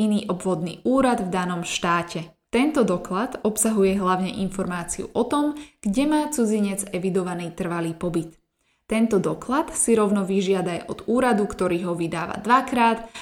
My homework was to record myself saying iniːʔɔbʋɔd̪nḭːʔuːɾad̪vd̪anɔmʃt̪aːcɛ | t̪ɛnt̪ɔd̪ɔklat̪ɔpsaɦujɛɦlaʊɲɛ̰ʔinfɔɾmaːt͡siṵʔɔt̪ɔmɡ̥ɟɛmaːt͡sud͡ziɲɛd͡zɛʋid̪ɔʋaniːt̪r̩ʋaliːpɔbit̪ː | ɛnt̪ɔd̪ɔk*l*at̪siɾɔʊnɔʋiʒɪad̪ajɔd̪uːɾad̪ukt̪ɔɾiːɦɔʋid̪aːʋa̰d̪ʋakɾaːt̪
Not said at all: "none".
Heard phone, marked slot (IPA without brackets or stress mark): l